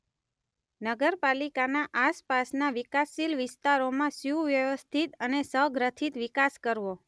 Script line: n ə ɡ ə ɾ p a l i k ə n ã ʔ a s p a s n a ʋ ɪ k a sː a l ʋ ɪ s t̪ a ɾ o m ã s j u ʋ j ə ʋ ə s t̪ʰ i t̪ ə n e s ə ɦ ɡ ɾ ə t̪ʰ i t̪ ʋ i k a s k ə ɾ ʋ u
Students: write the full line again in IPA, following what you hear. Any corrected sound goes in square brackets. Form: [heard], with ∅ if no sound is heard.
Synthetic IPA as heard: n ə ɡ ə ɾ p a l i k [a] n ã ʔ a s p a s n a ʋ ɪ k a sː [i] l ʋ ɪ s t̪ a ɾ o m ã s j u ʋ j ə ʋ ə s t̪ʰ i t̪ ə n e s ə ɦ ɡ ɾ ə t̪ʰ i t̪ ʋ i k a s k ə ɾ ʋ [o]